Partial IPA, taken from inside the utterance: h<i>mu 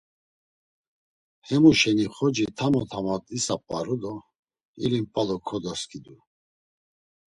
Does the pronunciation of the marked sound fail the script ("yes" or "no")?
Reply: yes